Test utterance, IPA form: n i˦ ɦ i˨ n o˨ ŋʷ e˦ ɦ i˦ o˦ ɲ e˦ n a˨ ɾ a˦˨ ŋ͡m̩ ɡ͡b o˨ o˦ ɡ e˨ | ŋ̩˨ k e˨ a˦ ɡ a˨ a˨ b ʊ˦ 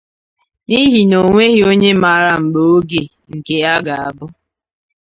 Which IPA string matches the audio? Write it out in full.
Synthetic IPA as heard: n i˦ ɦ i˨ n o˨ ŋʷ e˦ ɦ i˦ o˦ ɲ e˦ m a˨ ɾ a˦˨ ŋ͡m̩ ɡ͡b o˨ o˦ ɡ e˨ | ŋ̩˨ k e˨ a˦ ɡ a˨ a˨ b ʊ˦

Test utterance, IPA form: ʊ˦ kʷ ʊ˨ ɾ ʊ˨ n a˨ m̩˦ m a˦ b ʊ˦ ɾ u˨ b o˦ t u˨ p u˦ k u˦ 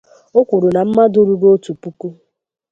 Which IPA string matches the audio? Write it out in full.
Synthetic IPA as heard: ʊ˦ kʷ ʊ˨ ɾ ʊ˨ n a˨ m̩˦ m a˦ d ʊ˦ ɾ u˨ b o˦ t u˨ p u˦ k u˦

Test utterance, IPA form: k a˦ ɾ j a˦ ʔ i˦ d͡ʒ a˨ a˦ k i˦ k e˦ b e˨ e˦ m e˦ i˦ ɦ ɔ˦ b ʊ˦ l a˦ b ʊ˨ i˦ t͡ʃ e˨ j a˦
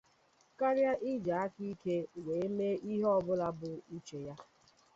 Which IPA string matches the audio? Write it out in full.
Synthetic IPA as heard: k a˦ ɾ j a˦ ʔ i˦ d͡ʒ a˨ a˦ k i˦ k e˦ w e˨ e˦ m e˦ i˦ ɦ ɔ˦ b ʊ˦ l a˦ b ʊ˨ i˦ t͡ʃ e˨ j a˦

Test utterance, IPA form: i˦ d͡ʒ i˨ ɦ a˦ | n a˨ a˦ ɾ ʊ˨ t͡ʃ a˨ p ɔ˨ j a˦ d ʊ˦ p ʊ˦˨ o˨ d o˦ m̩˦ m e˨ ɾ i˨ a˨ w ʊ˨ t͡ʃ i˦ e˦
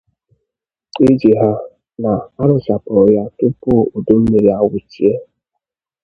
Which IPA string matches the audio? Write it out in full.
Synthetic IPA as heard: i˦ d͡ʒ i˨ ɦ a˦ | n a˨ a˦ ɾ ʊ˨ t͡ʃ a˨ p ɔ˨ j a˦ t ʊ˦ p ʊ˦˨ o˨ d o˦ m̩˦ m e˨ ɾ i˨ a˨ w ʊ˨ t͡ʃ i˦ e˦

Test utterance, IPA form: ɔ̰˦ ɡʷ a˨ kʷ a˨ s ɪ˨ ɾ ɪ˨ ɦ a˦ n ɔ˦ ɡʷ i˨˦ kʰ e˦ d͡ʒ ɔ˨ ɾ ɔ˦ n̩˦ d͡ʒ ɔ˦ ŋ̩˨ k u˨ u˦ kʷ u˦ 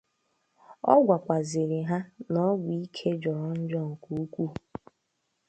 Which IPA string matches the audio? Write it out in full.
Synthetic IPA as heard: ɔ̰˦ ɡʷ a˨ kʷ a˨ z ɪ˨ ɾ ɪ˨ ɦ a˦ n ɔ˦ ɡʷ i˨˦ kʰ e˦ d͡ʒ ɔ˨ ɾ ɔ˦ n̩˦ d͡ʒ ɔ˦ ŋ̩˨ k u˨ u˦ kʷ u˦

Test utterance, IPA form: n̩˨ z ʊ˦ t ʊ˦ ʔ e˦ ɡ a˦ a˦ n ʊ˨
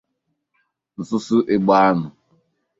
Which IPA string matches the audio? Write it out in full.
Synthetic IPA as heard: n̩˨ s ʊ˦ s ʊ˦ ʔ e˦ ɡ͡b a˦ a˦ n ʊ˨

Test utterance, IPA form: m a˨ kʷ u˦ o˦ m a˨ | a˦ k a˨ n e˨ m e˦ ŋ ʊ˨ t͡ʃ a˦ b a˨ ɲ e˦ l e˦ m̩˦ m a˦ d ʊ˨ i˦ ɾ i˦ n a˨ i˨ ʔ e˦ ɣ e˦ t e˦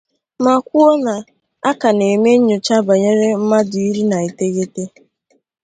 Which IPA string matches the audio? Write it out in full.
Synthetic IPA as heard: m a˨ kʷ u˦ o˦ n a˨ | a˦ k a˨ n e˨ m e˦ ɲ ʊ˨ t͡ʃ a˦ b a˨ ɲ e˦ ɾ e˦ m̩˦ m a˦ d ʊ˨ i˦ ɾ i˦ n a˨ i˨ t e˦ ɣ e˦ t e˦

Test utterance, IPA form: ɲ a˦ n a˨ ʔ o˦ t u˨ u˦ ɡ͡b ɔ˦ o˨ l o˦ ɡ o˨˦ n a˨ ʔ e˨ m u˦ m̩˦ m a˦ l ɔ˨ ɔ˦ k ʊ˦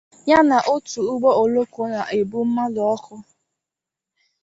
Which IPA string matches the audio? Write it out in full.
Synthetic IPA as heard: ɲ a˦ n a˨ ʔ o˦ t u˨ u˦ ɡ͡b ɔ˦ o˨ l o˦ k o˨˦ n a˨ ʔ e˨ b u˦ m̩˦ m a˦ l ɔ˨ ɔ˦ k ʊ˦

